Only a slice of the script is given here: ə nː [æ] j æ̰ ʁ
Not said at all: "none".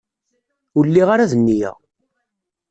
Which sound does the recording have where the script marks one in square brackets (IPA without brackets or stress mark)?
i